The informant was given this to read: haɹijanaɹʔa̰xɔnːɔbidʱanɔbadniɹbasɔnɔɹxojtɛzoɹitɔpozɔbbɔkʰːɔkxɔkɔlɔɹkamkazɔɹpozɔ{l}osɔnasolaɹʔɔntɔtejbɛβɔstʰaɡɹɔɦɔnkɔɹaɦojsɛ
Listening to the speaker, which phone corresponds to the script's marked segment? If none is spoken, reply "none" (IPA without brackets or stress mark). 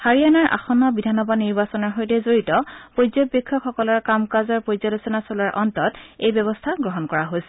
l